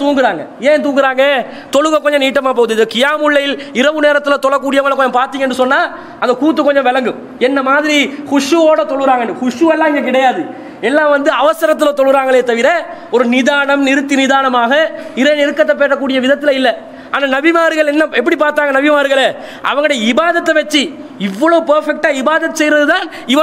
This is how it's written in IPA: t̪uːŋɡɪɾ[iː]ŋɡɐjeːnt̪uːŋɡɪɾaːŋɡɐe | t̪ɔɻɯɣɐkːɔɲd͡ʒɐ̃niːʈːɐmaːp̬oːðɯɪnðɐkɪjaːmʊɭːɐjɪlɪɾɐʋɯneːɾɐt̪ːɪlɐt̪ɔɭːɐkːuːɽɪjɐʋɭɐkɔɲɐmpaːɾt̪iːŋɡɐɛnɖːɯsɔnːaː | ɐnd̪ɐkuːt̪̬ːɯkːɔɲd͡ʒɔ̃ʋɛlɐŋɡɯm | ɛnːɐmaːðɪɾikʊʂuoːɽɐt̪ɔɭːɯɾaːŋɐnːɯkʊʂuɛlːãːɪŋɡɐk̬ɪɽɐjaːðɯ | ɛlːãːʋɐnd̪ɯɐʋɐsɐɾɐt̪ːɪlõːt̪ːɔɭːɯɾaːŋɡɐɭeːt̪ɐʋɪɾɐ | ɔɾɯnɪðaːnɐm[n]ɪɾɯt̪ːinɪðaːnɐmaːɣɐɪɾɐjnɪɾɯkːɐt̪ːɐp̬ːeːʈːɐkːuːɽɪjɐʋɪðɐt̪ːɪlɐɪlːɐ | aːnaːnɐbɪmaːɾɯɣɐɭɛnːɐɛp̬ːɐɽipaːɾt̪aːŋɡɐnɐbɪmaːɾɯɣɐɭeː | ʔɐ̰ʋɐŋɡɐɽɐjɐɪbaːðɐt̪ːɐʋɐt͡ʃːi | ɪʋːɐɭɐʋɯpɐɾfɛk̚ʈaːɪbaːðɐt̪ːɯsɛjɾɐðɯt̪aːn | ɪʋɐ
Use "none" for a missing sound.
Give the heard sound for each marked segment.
aː, n

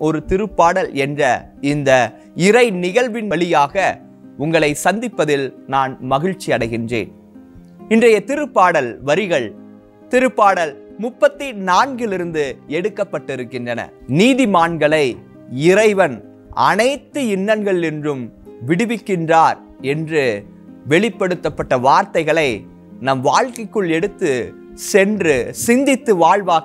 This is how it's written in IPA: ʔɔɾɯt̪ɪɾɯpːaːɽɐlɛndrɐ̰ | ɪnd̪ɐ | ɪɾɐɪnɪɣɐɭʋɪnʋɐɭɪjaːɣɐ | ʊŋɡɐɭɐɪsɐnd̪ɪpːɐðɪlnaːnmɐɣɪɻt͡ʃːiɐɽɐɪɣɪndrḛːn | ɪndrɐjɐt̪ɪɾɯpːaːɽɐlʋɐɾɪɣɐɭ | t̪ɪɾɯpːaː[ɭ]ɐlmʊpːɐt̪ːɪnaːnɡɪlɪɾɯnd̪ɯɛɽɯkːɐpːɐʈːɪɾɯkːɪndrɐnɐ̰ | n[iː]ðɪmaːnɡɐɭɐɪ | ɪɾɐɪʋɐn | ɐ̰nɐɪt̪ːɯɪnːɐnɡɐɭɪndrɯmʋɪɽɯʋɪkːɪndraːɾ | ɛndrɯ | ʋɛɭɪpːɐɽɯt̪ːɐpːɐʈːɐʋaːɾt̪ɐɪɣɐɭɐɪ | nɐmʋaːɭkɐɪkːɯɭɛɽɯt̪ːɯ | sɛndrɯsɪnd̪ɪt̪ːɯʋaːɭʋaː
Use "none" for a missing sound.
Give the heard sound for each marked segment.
ɽ, iː

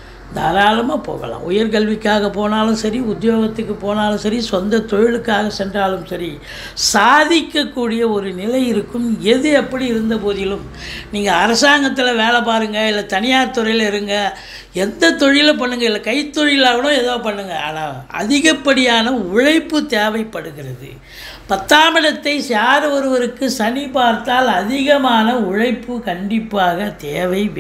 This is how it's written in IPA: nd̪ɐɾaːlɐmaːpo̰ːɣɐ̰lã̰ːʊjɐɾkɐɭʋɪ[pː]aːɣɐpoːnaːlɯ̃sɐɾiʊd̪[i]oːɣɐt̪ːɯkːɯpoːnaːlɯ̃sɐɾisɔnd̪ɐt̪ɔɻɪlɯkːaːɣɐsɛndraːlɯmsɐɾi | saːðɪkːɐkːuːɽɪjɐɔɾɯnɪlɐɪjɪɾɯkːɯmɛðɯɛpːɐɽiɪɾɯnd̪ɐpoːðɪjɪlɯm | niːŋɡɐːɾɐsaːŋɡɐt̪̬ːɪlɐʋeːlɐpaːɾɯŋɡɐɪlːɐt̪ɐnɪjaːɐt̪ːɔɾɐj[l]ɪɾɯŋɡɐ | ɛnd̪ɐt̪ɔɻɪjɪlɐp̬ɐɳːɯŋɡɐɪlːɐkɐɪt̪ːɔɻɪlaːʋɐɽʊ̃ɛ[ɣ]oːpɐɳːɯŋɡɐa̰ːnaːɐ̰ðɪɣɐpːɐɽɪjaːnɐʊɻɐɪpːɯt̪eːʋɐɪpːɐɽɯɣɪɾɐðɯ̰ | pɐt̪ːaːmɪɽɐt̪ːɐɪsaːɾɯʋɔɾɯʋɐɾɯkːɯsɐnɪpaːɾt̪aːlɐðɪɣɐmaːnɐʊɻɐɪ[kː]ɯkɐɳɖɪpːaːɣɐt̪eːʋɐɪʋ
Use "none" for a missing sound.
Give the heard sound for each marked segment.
kː, j, l, ð, pː

